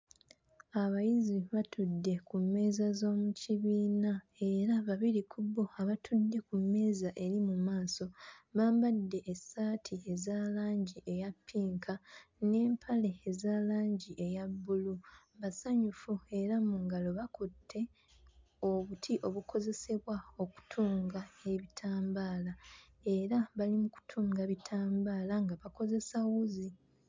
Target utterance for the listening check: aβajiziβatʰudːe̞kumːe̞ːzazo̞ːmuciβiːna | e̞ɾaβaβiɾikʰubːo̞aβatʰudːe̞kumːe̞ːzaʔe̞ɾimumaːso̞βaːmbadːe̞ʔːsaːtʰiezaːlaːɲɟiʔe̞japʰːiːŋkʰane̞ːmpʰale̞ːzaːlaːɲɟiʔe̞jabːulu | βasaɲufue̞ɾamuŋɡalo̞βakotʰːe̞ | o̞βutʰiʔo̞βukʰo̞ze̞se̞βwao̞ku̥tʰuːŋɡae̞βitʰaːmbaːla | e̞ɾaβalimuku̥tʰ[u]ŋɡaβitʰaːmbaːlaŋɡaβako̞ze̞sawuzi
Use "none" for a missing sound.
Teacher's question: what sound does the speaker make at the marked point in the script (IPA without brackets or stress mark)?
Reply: uː